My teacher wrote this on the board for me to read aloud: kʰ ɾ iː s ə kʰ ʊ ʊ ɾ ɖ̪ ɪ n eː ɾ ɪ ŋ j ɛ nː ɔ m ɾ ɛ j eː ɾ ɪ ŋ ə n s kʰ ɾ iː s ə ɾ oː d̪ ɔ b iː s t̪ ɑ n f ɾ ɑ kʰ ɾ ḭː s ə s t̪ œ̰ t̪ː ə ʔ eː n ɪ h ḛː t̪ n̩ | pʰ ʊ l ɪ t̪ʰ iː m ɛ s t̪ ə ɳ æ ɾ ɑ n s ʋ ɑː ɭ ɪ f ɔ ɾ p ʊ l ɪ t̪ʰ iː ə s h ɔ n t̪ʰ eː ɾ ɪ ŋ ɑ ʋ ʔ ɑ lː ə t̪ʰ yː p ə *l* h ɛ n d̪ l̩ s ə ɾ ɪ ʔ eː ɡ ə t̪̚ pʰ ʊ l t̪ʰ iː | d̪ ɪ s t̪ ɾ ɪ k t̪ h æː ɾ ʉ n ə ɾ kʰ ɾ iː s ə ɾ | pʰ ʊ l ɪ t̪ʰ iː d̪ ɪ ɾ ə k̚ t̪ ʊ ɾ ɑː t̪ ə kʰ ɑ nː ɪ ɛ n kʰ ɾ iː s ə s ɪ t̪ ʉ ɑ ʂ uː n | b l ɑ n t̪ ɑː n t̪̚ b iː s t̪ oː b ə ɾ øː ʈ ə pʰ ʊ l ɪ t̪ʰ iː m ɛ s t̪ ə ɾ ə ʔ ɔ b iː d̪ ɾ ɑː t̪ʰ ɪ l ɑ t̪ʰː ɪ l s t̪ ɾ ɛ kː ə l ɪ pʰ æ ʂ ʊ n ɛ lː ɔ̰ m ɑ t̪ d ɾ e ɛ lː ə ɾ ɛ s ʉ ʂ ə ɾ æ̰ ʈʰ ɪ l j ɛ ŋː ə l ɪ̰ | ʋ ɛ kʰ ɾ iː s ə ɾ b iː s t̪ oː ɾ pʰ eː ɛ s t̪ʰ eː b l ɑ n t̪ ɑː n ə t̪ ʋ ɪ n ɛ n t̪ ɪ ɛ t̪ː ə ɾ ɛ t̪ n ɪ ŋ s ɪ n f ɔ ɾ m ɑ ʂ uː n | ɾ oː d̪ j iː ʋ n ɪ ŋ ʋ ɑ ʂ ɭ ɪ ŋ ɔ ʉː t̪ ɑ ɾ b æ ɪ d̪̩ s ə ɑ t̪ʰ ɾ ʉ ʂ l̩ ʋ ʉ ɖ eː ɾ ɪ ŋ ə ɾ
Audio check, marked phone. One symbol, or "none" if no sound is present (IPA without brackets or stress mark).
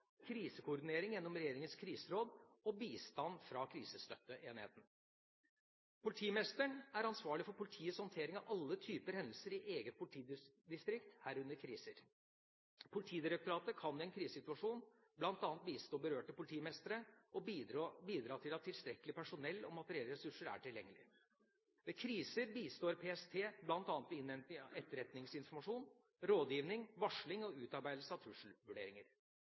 ɾ